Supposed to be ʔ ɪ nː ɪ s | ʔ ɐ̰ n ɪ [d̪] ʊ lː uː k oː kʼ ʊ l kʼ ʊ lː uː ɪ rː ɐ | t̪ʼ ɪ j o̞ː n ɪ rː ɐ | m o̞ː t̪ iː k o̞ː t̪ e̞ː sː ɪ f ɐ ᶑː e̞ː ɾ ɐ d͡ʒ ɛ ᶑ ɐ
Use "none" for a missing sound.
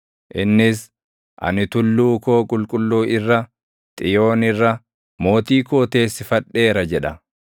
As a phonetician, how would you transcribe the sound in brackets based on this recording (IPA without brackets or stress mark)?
t̪